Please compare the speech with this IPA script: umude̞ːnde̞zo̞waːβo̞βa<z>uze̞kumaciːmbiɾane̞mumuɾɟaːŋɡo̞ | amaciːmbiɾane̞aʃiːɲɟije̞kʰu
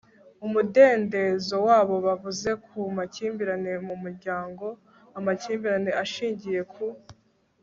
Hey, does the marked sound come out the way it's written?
no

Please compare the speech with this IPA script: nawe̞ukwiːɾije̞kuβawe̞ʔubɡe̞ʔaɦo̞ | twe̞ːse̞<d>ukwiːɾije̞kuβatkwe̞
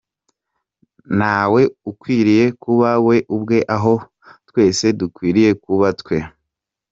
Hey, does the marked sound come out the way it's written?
yes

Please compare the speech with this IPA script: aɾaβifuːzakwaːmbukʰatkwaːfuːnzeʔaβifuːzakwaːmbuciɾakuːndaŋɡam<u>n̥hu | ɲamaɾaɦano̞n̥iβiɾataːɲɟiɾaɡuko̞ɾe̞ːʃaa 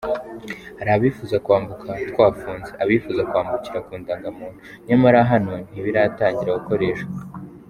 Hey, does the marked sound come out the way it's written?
no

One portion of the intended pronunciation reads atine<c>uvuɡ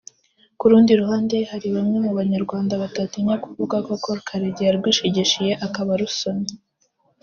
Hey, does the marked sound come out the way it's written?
no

